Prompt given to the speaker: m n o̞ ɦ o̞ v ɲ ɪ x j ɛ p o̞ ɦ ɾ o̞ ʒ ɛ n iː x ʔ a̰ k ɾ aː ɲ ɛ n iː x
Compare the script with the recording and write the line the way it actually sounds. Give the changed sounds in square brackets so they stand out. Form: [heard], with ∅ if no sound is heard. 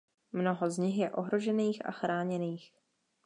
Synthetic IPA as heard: m n o̞ ɦ o̞ [z] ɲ ɪ x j ɛ [ʔ] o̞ ɦ ɾ o̞ ʒ ɛ n iː x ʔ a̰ [x] ɾ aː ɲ ɛ n iː x